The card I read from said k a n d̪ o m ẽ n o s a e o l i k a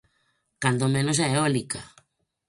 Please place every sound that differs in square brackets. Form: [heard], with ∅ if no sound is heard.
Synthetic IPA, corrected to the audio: k a n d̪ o m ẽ n o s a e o l i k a